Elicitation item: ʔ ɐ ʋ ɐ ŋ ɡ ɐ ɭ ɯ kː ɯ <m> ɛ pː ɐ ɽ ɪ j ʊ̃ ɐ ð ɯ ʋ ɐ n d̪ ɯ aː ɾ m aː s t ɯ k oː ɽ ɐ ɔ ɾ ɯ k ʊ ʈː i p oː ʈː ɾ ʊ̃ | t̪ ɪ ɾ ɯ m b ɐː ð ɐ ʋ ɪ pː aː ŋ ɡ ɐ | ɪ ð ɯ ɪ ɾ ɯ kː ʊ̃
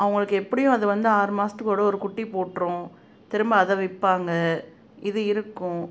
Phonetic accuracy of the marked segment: incorrect: none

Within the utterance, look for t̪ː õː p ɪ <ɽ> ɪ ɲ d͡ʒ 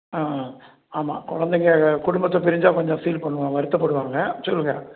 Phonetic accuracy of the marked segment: incorrect: ɾ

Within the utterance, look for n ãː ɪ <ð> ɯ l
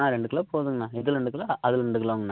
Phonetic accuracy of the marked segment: correct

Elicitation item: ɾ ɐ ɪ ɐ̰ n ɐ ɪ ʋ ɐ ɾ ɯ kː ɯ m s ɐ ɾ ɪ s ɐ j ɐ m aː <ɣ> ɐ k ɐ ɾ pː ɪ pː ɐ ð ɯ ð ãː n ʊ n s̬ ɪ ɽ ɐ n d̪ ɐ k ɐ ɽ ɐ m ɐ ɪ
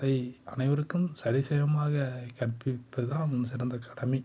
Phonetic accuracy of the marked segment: correct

